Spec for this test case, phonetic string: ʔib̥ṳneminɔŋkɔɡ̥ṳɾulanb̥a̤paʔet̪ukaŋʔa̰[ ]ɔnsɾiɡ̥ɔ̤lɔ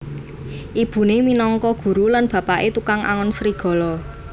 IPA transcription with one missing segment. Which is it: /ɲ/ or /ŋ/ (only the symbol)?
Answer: ŋ